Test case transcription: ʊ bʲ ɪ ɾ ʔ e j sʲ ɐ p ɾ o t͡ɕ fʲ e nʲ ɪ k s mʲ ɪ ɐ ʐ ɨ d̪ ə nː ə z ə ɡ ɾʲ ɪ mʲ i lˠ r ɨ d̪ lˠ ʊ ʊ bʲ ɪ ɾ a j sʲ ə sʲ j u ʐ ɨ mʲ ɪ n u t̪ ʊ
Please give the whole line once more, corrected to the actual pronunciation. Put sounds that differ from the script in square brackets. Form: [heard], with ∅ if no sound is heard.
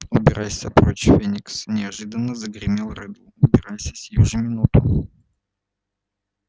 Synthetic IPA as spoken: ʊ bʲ ɪ ɾ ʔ [a] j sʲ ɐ p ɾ o t͡ɕ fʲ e nʲ ɪ k s [nʲ] ɪ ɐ ʐ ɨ d̪ ə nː ə z ə ɡ ɾʲ ɪ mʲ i lˠ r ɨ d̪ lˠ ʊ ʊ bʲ ɪ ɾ a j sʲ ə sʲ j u ʐ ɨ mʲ ɪ n u t̪ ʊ